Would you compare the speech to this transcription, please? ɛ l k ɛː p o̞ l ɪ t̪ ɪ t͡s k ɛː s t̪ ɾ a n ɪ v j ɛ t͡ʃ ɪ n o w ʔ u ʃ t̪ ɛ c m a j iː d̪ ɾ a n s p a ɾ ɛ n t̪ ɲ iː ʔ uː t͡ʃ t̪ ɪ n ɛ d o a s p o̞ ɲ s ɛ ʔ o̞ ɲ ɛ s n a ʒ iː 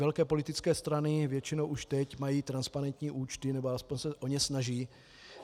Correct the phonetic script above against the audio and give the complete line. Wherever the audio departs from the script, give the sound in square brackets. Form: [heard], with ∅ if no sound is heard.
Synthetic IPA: ɛ l k ɛː p o̞ l ɪ t̪ ɪ t͡s k ɛː s t̪ ɾ a n ɪ v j ɛ t͡ʃ ɪ n o w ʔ u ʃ t̪ ɛ c m a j iː [t̪] ɾ a n s p a ɾ ɛ n t̪ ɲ iː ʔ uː t͡ʃ t̪ ɪ n ɛ [b] o a s p o̞ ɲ s ɛ ʔ o̞ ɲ ɛ s n a ʒ iː